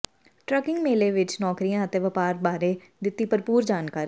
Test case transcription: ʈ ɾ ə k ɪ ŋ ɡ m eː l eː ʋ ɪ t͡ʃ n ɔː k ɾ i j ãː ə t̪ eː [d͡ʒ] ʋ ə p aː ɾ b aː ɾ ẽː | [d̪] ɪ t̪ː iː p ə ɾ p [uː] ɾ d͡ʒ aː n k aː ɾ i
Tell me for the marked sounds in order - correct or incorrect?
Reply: incorrect: none, correct, correct

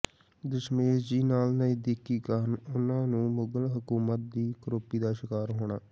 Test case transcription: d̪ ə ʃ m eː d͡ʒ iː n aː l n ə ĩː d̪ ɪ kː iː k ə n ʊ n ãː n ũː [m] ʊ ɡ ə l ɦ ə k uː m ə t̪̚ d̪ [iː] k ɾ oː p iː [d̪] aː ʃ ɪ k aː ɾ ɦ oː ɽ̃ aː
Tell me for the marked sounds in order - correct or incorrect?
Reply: correct, correct, correct

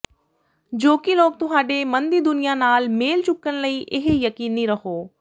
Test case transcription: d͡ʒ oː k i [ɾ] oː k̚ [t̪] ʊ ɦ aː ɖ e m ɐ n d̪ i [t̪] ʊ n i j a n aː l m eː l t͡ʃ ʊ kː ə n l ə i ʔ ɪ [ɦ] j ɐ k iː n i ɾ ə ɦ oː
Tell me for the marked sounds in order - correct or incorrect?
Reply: incorrect: l, correct, incorrect: d̪, correct

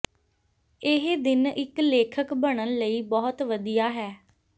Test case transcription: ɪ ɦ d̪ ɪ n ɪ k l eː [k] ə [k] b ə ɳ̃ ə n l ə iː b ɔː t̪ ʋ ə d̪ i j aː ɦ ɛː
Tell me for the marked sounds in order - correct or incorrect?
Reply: incorrect: kʰ, correct

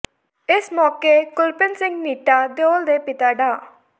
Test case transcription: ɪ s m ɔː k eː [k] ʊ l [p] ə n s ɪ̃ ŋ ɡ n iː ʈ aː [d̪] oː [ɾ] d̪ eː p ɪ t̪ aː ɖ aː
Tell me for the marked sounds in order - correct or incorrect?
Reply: correct, correct, correct, incorrect: l

